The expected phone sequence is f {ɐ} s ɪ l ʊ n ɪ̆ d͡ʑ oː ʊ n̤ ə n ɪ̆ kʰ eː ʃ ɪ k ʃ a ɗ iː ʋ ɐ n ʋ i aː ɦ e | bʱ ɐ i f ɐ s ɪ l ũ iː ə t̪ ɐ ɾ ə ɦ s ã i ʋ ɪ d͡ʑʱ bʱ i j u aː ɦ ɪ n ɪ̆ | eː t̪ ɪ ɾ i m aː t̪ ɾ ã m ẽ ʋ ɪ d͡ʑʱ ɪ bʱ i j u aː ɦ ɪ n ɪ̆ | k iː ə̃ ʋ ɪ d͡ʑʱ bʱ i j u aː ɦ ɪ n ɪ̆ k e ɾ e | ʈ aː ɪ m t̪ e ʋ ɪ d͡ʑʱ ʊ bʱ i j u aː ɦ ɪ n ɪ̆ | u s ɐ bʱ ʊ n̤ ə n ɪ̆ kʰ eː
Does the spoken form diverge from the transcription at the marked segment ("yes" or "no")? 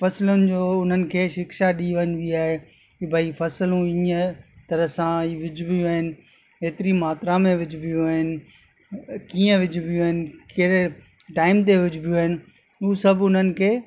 no